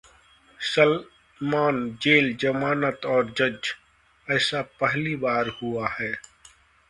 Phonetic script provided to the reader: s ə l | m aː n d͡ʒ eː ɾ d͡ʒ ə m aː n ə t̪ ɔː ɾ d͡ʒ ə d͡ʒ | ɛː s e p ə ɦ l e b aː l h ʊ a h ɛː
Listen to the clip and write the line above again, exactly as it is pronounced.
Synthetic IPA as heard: s ə l | m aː n d͡ʒ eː l d͡ʒ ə m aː n ə t̪ ɔː ɾ d͡ʒ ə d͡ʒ | ɛː s a p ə ɦ l i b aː ɾ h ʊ a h ɛː